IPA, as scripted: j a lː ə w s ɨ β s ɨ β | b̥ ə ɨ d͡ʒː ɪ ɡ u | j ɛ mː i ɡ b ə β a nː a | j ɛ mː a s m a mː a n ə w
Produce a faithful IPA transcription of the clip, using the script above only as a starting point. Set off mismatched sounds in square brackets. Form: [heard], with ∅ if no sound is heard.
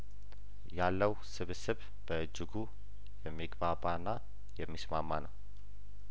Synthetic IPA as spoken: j a lː ə w s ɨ β s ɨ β | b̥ ə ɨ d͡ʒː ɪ ɡ u | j ɛ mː i ɡ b [a] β a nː a | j ɛ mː [i] s m a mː a n ə w

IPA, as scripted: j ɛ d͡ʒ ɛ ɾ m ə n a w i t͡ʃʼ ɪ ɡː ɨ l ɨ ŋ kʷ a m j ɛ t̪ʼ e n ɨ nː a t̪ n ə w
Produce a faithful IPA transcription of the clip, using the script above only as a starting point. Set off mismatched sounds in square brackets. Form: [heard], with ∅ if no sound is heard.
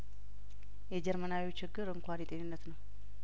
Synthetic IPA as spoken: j ɛ d͡ʒ ɛ ɾ m ə n a w i [t͡ʃ] ɪ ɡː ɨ [ɾ] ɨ ŋ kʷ a [n] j ɛ t̪ʼ e n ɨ nː [ə] t̪ n ə w

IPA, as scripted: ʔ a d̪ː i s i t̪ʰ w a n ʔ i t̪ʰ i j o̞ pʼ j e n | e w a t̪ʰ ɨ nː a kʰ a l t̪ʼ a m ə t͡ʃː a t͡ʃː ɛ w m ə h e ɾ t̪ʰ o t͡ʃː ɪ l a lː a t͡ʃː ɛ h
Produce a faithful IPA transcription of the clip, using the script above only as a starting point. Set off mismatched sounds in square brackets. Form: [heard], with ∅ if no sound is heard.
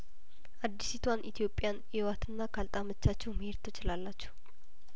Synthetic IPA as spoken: ʔ a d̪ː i s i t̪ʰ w a n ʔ i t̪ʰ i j o̞ pʼ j [a] n | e w a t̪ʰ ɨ nː a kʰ a l t̪ʼ a m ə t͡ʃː a t͡ʃː ɛ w m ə h e ɾ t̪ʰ o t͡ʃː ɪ l a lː a t͡ʃː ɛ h

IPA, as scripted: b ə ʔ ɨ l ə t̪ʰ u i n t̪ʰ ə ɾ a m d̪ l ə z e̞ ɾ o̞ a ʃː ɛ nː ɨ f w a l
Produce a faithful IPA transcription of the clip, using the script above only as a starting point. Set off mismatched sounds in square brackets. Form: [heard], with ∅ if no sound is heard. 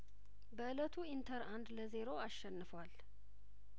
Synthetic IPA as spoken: b ə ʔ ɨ l ə t̪ʰ u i n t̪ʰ ə ɾ a [n] d̪ l ə z e̞ ɾ o̞ a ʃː ɛ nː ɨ f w a l

